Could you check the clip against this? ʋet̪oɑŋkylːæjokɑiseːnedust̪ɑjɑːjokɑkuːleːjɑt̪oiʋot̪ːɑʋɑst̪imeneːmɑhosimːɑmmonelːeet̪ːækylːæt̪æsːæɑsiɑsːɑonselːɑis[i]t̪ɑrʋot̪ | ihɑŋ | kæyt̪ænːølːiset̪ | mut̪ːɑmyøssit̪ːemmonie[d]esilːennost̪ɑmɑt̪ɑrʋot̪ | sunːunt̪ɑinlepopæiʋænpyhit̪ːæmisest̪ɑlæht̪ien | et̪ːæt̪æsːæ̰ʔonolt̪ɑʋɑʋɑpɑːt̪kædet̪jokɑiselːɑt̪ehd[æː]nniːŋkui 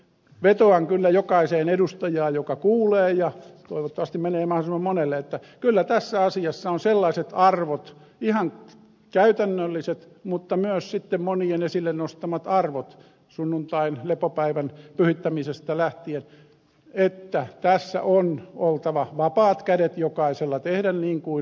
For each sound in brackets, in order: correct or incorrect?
incorrect: e, incorrect: n, incorrect: æ

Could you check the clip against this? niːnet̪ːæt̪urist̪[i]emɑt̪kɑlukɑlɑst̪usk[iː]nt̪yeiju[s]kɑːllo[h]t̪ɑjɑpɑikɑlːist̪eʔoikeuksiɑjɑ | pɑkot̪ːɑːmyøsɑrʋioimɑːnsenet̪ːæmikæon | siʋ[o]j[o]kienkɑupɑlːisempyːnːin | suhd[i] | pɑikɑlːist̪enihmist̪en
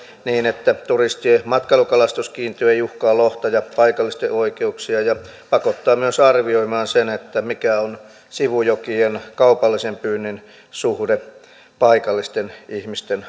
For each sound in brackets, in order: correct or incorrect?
correct, correct, incorrect: h, correct, incorrect: u, correct, incorrect: e

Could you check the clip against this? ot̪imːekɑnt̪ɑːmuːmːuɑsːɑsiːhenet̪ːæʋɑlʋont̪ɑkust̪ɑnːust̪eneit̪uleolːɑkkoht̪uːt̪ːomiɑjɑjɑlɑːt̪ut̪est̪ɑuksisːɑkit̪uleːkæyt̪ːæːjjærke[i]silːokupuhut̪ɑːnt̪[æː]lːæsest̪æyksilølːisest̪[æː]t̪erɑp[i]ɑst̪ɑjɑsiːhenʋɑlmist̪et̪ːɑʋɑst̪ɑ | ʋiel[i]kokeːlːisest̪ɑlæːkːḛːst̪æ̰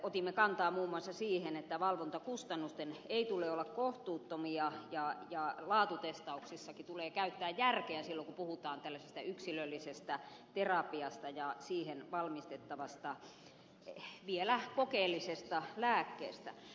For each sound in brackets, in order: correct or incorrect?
incorrect: æ, incorrect: æ, incorrect: æ, correct, incorrect: æ

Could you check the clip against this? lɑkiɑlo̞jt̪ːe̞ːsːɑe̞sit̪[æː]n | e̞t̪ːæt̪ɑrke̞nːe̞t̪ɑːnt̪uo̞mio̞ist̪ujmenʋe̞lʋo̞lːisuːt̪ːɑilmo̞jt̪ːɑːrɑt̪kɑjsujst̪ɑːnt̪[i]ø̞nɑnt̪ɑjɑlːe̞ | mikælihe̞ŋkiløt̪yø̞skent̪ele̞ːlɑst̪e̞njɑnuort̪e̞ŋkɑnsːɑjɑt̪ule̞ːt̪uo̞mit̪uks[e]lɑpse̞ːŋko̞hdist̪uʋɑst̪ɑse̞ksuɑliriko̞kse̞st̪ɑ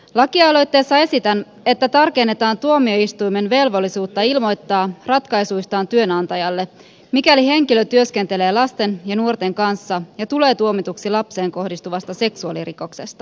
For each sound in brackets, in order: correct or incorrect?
incorrect: æ, incorrect: y, incorrect: i

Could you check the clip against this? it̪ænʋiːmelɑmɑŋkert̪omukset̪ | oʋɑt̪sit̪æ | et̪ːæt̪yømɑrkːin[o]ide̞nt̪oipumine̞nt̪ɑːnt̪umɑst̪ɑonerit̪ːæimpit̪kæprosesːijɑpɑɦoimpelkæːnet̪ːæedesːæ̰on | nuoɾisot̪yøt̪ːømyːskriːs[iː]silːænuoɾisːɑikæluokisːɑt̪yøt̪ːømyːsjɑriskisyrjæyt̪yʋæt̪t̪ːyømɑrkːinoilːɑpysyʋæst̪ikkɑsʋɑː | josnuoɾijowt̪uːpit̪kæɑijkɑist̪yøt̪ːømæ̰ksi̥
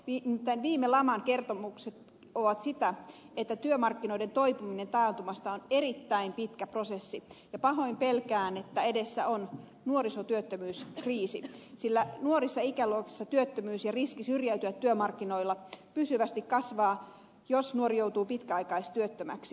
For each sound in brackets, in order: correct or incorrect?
correct, incorrect: i

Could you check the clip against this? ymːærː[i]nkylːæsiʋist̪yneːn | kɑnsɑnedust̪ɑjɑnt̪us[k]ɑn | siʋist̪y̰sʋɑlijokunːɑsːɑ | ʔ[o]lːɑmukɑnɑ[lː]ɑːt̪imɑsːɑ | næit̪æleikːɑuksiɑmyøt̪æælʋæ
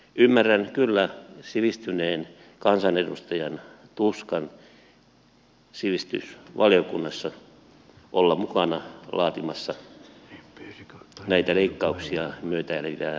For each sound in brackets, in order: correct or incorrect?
incorrect: æ, correct, correct, incorrect: l

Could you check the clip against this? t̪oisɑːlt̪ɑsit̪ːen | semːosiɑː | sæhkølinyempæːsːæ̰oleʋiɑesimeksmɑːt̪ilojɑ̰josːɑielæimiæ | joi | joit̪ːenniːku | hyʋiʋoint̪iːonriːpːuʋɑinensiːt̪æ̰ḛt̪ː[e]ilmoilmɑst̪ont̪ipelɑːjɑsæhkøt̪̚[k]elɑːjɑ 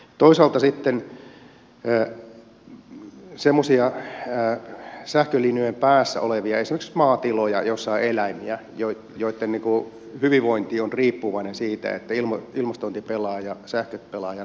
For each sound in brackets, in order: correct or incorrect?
incorrect: æ, incorrect: p

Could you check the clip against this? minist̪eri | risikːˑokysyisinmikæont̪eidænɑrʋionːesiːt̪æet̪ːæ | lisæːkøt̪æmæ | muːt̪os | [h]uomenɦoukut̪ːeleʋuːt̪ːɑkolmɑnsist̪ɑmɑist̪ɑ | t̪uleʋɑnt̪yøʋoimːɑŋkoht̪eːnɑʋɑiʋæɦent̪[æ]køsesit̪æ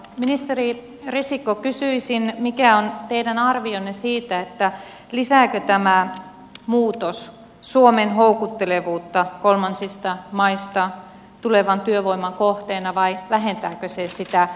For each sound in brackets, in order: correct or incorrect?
incorrect: s, incorrect: æː

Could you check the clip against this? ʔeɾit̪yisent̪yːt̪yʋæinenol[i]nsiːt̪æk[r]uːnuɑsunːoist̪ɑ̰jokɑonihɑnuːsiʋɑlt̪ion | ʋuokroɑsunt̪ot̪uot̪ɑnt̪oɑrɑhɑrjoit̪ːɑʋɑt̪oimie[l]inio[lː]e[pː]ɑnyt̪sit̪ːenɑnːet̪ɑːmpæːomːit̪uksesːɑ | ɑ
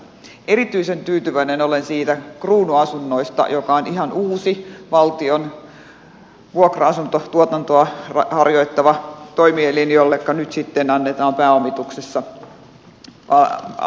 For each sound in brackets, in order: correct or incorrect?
incorrect: e, correct, correct, correct, incorrect: kː

